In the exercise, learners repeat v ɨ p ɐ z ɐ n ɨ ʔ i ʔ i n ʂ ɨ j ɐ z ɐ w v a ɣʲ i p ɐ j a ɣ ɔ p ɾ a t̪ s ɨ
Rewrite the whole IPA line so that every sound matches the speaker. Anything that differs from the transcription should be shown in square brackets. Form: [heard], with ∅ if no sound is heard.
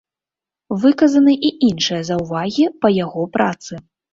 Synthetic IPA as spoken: v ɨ [k] ɐ z ɐ n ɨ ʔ i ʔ i n ʂ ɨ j ɐ z ɐ w v a ɣʲ i p ɐ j a ɣ ɔ p ɾ a t̪ s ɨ